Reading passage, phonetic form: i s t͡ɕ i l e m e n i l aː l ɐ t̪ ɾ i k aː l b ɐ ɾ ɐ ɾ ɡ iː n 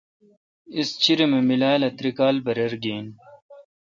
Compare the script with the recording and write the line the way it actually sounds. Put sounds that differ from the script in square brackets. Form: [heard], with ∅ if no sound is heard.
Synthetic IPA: i s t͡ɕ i [ɾ] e m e [m] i l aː l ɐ t̪ ɾ i k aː l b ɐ ɾ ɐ ɾ ɡ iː n